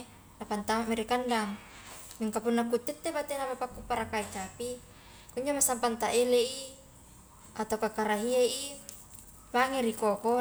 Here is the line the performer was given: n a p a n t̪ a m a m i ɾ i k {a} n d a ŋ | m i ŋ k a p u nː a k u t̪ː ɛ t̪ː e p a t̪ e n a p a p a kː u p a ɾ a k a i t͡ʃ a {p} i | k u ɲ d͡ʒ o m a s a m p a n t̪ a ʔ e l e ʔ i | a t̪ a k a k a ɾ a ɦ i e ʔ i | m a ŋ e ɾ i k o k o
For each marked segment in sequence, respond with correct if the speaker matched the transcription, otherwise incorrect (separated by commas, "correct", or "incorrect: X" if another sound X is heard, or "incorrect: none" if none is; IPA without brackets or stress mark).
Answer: correct, correct